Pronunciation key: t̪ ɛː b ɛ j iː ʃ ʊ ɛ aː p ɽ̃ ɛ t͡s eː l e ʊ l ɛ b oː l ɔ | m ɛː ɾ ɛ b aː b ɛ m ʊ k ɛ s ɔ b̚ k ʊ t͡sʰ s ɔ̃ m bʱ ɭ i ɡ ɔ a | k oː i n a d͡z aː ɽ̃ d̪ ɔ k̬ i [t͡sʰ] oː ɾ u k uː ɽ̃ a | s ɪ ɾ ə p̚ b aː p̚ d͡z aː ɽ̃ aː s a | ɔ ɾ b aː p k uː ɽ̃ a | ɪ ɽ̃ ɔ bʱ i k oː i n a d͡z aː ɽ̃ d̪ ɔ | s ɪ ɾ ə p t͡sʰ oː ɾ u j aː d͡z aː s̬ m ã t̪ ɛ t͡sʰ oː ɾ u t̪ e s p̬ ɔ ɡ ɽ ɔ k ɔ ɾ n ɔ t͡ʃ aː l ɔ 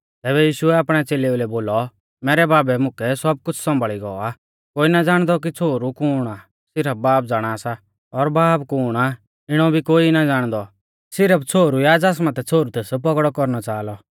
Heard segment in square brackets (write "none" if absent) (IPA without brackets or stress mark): t͡sʰ